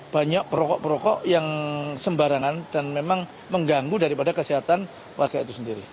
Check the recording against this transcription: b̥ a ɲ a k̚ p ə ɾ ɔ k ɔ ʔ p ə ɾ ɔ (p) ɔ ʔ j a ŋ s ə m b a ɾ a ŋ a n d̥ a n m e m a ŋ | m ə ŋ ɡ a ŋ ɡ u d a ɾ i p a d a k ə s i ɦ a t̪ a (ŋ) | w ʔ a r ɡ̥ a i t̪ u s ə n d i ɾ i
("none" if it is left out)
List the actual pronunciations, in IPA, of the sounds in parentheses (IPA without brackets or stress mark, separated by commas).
k, n